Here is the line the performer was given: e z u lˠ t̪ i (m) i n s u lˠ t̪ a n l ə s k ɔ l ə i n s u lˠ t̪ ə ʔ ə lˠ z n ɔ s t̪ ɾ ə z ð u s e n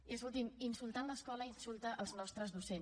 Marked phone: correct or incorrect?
correct